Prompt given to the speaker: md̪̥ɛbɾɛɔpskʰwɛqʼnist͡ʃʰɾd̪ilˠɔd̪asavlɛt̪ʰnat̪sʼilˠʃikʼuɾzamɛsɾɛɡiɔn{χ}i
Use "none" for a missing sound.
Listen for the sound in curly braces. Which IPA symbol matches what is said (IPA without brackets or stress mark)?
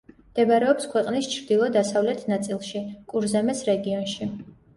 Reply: ʃ